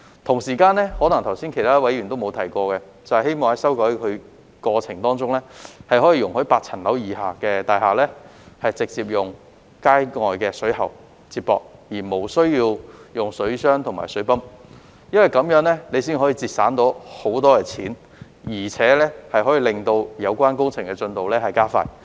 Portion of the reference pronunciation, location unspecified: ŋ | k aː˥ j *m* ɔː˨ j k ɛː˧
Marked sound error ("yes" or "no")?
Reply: yes